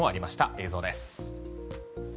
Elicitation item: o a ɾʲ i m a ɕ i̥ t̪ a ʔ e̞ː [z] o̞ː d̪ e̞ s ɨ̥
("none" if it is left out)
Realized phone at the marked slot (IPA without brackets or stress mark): z